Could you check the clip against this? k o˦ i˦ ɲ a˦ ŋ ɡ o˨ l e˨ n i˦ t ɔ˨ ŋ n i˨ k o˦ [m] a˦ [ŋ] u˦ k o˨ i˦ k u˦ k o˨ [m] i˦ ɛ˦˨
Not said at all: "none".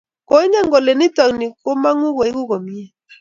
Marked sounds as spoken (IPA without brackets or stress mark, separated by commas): m, ŋ, m